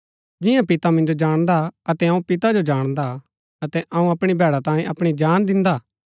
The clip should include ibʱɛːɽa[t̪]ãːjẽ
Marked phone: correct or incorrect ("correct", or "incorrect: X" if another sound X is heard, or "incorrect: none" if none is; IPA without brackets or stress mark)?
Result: correct